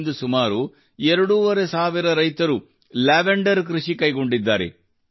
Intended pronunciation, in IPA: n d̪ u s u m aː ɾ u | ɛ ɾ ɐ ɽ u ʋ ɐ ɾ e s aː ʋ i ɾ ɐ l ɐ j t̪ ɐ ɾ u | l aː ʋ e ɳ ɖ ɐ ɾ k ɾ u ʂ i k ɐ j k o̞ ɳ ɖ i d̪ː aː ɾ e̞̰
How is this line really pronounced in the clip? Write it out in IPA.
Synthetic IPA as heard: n d̪ u s u m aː ɾ u | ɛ ɾ ɐ ɽ u ʋ ɐ ɾ e s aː ʋ i ɾ ɐ ɾ ɐ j t̪ ɐ ɾ u | l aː ʋ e ɳ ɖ ɐ ɾ k ɾ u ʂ i k ɐ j ɡ o̞ ɳ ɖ i d̪ː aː ɾ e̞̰